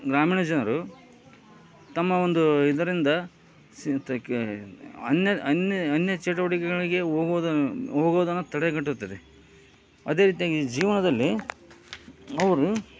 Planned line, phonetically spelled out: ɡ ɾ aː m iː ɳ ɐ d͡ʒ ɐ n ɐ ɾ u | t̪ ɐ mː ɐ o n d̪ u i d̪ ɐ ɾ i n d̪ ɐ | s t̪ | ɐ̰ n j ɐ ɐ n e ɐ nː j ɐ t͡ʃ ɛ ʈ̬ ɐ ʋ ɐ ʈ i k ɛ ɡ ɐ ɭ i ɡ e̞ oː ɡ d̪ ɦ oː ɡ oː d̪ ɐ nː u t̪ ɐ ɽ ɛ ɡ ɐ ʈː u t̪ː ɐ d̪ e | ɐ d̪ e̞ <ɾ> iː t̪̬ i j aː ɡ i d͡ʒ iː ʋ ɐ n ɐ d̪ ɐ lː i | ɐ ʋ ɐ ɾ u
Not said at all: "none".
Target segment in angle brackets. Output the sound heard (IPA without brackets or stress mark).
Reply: ɾ